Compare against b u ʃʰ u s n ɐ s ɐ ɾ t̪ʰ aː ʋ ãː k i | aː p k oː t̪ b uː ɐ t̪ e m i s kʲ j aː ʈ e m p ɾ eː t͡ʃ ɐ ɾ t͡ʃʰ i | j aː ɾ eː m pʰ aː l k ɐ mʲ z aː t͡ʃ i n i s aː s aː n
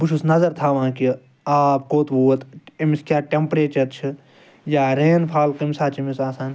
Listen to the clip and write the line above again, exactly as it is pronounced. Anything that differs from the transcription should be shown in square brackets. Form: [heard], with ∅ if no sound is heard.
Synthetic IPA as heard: b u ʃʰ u s n ɐ [z] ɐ ɾ t̪ʰ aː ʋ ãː k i | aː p k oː t̪ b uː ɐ t̪ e m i s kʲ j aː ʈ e m p ɾ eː t͡ʃ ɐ ɾ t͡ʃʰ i | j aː ɾ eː [n] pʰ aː l k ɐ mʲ [s] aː t͡ʃ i [m] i s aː s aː n